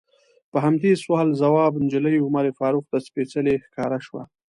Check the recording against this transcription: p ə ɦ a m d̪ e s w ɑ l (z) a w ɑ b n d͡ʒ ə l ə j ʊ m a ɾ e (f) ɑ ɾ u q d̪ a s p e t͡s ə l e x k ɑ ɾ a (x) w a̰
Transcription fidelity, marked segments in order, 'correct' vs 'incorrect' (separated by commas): correct, correct, incorrect